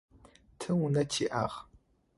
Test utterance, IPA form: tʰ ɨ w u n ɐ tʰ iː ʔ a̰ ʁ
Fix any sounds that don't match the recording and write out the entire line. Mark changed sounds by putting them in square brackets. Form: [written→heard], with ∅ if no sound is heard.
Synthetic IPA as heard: tʰ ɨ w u n ɐ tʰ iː ʔ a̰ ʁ